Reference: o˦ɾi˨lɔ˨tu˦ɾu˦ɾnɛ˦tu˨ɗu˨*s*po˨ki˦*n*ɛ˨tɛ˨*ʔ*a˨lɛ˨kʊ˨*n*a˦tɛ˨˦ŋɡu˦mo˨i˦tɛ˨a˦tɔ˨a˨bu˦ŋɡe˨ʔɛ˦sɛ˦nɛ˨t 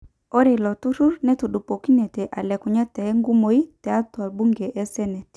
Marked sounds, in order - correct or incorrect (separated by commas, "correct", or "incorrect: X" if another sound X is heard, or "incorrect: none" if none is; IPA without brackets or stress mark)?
incorrect: none, correct, correct, incorrect: ɲ